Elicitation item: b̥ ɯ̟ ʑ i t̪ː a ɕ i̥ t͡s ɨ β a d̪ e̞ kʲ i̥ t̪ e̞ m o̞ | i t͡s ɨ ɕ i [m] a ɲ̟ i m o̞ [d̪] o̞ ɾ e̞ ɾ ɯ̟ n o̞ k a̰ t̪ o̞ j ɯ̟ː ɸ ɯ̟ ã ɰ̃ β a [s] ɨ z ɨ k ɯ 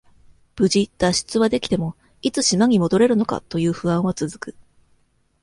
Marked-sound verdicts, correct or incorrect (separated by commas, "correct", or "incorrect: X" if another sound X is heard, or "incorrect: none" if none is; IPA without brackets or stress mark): correct, correct, incorrect: t͡s